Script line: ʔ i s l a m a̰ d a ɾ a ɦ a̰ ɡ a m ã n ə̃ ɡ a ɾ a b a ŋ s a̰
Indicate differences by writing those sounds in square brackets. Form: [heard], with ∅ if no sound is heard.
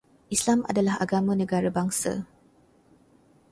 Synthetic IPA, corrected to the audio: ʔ i s l a m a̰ d a [l] a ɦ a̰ ɡ a m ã n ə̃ ɡ a ɾ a b a ŋ s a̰